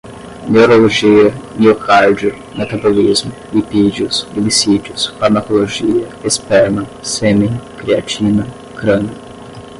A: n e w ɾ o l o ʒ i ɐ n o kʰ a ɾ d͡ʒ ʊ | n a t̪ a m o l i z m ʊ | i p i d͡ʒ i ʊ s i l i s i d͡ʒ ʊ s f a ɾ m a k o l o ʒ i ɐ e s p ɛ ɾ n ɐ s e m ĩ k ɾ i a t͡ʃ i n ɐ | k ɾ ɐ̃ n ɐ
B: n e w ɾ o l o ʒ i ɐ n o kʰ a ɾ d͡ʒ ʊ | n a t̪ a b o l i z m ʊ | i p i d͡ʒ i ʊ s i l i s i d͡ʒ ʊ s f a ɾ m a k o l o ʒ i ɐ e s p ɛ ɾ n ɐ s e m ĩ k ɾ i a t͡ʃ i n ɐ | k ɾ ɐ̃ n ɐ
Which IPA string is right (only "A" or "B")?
B